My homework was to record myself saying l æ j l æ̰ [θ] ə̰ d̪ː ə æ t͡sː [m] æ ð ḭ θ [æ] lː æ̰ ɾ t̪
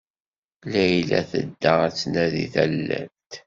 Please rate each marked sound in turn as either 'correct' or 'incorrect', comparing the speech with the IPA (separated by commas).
correct, incorrect, correct